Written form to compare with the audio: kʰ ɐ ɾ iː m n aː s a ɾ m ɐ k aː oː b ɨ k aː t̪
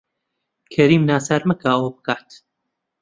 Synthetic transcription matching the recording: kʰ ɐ ɾ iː m n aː s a ɾ m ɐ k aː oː b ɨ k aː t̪